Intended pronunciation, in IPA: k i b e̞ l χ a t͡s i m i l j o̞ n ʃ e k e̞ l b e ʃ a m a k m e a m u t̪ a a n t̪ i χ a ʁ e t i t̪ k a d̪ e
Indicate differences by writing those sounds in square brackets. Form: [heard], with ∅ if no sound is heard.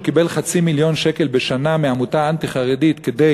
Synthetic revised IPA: k i b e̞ l χ a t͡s i m i l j o̞ n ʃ e k e̞ l b e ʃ a [n] a [∅] m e a m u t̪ a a n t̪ i χ a ʁ e [d] i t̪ k [e] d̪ e